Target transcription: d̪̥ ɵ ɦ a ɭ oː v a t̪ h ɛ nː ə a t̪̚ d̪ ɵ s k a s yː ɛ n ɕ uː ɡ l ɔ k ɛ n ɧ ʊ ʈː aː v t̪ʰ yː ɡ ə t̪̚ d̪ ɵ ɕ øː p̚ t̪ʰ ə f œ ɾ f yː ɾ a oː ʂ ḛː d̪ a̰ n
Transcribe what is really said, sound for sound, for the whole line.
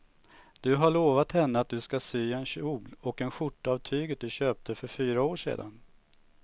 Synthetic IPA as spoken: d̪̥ ɵ ɦ a ɭ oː v a t̪ h ɛ nː ə a t̪̚ d̪ ɵ s k a s yː ɛ n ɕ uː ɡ l ɔ k ɛ n ɧ ʊ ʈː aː v t̪ʰ yː ɡ ə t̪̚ d̪ ɵ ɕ øː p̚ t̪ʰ ə f œ ɾ f yː ɾ a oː ʂ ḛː d̪ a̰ n